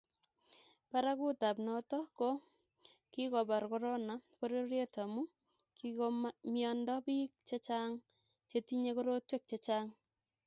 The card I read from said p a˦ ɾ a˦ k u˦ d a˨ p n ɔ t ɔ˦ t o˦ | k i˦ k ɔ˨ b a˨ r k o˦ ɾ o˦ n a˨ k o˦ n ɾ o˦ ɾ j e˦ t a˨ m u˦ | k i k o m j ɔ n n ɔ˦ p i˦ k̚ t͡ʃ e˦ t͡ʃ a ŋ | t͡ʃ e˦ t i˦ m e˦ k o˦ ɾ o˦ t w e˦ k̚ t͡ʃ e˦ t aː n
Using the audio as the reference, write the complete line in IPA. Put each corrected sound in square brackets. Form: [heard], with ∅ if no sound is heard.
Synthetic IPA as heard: p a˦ ɾ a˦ k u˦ [t] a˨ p n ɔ t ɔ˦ [k] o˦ | k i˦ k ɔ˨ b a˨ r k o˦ ɾ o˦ n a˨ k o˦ [∅] ɾ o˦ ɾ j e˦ t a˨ m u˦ | k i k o m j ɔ n [d] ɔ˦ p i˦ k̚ t͡ʃ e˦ t͡ʃ a ŋ | t͡ʃ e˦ t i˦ [ɲ] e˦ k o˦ ɾ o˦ t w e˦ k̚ t͡ʃ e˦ [t͡ʃ] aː [ŋ]

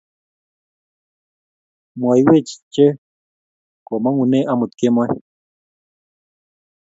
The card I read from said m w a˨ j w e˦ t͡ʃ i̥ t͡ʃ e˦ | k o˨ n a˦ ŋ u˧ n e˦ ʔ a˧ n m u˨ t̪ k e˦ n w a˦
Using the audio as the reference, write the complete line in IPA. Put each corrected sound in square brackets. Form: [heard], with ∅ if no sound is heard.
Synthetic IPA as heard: m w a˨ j w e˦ t͡ʃ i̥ t͡ʃ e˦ | k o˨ [m] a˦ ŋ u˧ n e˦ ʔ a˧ [∅] m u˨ t̪ k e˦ [m] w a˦

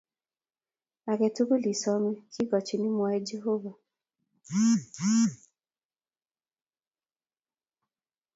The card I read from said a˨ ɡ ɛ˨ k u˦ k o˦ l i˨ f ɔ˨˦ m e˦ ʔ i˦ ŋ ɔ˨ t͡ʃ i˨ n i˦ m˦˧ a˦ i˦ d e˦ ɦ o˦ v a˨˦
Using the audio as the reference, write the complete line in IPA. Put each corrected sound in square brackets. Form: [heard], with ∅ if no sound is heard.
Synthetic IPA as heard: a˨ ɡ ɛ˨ [t] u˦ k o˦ l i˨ [s] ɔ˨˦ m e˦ [k] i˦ [ɡ] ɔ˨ t͡ʃ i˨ n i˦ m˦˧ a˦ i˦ [d͡ʒ] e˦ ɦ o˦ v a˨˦

